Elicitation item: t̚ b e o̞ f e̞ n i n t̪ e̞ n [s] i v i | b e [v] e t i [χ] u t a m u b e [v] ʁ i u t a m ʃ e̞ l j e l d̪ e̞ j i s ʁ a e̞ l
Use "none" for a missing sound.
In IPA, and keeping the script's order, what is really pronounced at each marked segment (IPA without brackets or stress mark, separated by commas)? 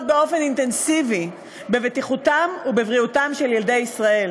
s, v, χ, v